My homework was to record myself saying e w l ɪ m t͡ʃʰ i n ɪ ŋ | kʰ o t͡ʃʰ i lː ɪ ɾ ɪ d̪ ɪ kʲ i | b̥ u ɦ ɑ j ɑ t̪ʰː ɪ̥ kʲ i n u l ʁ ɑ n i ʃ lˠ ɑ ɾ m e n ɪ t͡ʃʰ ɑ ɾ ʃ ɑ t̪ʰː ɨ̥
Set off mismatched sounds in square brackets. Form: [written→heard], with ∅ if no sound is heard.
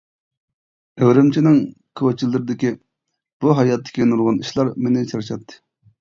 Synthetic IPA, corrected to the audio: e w [l→ɾ] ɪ m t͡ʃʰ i n ɪ ŋ | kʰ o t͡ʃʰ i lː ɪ ɾ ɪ d̪ ɪ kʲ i | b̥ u ɦ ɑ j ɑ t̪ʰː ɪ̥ kʲ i n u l ʁ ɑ n i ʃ lˠ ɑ ɾ m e n ɪ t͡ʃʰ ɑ ɾ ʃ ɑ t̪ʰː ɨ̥